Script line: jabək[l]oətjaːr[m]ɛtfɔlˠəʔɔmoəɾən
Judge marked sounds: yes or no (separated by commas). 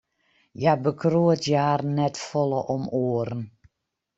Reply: no, no